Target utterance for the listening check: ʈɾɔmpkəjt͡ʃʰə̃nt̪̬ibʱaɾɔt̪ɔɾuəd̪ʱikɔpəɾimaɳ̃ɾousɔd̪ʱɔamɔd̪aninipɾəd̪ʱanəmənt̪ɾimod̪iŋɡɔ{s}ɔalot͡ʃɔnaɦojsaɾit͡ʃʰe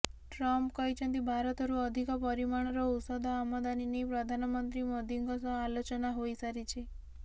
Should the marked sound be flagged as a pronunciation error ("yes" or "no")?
no